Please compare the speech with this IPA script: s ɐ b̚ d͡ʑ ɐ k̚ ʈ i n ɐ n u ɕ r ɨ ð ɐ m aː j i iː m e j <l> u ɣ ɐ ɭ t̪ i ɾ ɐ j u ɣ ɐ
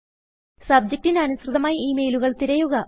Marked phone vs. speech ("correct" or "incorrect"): correct